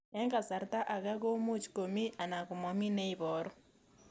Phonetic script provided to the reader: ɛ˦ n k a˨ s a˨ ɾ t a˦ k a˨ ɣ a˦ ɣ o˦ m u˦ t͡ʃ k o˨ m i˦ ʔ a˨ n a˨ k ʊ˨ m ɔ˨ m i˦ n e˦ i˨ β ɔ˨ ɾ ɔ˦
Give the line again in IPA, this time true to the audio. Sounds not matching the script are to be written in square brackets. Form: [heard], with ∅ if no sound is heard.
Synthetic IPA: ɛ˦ [ŋ] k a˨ s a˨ ɾ t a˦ [ʔ] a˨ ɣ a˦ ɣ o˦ m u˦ t͡ʃ k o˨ m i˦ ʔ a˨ n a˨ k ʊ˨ m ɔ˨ m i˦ n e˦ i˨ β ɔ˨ ɾ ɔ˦